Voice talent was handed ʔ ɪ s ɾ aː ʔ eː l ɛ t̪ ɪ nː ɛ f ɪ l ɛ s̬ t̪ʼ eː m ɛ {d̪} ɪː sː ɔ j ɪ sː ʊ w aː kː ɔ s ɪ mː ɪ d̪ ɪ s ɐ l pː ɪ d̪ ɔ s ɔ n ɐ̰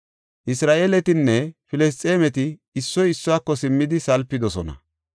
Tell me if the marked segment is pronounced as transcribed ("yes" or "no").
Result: no